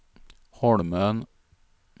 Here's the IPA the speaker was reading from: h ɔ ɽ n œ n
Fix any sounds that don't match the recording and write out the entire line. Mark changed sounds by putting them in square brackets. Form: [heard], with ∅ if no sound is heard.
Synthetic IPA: h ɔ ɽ [m] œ n